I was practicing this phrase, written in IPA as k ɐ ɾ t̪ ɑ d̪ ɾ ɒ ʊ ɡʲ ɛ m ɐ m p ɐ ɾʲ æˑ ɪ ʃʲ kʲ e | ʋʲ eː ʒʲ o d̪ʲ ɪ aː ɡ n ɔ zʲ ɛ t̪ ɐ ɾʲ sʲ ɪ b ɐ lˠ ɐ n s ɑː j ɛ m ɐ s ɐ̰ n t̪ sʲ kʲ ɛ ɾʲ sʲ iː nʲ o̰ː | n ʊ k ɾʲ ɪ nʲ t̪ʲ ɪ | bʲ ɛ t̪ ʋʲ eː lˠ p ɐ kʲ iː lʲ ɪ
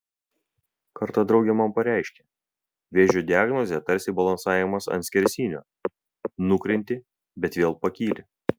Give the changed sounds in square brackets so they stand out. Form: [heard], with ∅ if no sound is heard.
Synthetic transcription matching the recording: k ɐ ɾ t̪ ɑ d̪ ɾ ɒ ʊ ɡʲ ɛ m ɐ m p ɐ ɾʲ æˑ ɪ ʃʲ kʲ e | ʋʲ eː ʒʲ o d̪ʲ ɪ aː ɡ n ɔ zʲ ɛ t̪ ɐ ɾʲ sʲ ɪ b ɐ lˠ ɐ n s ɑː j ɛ m ɐ s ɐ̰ n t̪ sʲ kʲ ɛ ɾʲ sʲ iː nʲ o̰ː | n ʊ k ɾʲ ɪ nʲ t̪ʲ ɪ | bʲ ɛ t̪ ʋʲ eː lˠ p ɐ kʲ iː lʲ ɪ